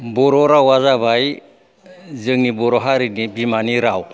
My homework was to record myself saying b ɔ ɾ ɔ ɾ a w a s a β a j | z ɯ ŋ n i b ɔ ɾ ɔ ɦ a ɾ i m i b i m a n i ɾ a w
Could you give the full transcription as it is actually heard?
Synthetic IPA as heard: b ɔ ɾ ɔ ɾ a w a z a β a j | z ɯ ŋ n i b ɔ ɾ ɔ ɦ a ɾ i n i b i m a n i ɾ a w